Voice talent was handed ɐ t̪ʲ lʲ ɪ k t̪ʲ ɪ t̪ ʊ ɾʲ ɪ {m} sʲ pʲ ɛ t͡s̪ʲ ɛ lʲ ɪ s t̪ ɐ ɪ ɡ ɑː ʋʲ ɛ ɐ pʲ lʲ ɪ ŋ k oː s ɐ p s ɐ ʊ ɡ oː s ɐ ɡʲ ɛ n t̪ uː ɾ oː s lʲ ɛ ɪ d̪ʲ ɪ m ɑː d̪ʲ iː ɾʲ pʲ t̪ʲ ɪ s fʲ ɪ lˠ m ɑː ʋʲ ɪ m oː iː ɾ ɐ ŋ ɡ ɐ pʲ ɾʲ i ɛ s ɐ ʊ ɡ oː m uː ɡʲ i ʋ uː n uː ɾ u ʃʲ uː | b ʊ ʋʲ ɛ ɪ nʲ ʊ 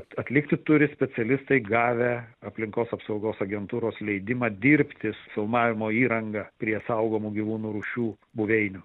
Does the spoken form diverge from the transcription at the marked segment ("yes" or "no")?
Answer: yes